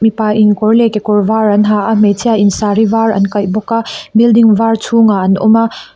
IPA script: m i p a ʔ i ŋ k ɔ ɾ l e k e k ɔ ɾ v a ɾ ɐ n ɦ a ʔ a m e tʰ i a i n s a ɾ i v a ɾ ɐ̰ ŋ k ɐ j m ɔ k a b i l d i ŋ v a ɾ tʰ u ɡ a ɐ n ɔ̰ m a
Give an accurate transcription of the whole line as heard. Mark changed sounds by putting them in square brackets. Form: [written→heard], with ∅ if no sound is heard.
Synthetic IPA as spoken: m i p a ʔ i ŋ k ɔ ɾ l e k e k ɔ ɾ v a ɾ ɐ n ɦ a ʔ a m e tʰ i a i n s a ɾ i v a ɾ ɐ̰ [ŋ→n] k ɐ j [m→b] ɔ k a b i l d i ŋ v a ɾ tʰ u [ɡ→ŋ] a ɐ n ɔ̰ m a